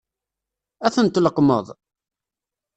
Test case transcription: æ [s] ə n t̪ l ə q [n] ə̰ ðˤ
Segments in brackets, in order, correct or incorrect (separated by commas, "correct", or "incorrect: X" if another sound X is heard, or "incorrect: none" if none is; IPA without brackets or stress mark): incorrect: θ, incorrect: m